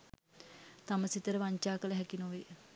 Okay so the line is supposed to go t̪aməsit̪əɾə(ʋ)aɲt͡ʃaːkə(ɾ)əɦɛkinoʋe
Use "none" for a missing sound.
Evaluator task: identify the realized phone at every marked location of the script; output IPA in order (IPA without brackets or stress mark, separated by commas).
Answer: ʋ, l